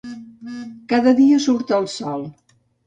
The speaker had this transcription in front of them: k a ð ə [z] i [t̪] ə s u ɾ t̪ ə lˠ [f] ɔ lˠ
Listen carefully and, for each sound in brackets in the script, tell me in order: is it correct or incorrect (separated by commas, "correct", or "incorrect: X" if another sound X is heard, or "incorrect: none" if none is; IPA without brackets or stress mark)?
incorrect: ð, incorrect: none, incorrect: s